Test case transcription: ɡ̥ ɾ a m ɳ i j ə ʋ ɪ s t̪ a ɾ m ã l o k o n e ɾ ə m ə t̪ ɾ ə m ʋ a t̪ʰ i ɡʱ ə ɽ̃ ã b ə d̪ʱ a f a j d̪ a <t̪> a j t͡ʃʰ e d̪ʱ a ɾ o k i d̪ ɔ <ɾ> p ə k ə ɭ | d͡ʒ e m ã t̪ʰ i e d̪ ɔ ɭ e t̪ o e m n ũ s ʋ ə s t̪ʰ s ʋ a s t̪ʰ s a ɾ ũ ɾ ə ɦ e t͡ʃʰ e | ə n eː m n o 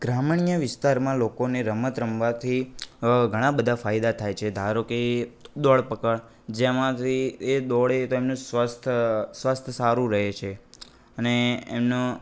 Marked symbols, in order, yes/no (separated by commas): no, no